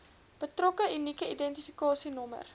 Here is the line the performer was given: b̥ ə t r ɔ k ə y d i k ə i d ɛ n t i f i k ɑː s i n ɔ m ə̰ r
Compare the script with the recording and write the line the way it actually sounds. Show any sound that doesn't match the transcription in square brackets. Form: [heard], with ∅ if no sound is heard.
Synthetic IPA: b̥ ə t r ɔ k ə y [n] i k ə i d ɛ n t i f i k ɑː s i n ɔ m ə̰ r